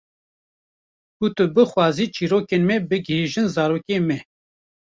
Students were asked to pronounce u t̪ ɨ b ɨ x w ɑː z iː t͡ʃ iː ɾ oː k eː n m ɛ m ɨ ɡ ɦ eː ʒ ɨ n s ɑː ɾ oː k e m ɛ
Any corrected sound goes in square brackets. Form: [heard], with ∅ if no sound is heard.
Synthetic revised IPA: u t̪ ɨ b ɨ x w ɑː z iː t͡ʃ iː ɾ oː k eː n m ɛ [b] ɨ ɡ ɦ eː ʒ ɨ n [z] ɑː ɾ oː k e m ɛ